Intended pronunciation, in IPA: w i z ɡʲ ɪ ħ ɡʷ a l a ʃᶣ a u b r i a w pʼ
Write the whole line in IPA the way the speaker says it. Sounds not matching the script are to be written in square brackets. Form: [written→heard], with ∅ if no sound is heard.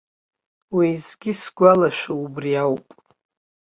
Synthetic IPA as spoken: w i z ɡʲ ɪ [ħ→s] ɡʷ a l a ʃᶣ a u b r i a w pʼ